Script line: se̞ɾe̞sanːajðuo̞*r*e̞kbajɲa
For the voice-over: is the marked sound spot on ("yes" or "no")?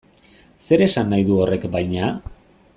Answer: yes